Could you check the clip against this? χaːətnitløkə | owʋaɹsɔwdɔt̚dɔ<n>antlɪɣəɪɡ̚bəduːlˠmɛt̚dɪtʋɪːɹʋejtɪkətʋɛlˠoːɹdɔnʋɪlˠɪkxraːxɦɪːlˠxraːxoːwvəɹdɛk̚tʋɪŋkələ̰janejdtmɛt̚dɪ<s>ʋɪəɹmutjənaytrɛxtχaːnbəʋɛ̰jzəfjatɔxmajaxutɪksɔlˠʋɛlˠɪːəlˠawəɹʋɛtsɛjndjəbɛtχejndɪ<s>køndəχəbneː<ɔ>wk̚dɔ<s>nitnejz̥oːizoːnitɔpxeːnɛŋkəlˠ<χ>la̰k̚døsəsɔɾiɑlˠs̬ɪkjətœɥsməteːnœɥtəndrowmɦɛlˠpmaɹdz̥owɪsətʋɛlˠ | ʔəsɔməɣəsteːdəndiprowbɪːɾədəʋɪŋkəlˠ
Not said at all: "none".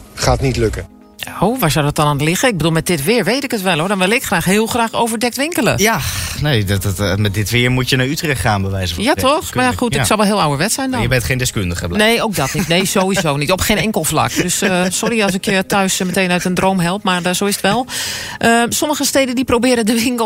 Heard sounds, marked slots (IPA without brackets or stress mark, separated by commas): n, t, s, o, t, f